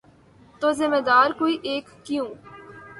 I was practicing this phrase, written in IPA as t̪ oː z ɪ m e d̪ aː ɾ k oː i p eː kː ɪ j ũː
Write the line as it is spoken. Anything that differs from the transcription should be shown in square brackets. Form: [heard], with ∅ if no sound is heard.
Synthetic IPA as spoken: t̪ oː z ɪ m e d̪ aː ɾ k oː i [ʔ] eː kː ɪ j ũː